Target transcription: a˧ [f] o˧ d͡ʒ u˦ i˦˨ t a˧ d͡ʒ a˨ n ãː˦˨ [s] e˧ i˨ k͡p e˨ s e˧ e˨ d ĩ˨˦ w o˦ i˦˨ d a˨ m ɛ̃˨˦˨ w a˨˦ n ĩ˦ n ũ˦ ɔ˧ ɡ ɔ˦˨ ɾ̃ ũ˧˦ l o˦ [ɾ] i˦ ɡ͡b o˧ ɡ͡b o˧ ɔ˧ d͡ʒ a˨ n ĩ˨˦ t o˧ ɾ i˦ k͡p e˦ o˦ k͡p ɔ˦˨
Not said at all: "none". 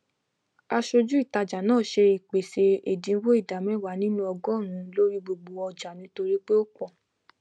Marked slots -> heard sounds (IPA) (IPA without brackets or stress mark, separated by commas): ʃ, ʃ, ɾ